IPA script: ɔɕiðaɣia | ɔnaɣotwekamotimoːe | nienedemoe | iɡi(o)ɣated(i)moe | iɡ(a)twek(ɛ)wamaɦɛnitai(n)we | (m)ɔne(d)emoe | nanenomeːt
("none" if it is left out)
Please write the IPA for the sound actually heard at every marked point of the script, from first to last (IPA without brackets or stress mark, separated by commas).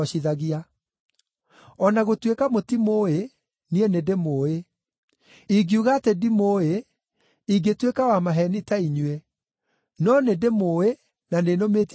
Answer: u, i, e, a, ɲ, n, d